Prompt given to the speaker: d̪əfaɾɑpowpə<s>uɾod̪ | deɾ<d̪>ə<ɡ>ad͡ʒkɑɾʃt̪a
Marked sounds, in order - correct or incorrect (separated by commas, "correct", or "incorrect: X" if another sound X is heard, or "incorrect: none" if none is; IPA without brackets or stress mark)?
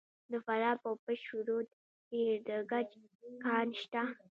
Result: incorrect: ʃ, correct, correct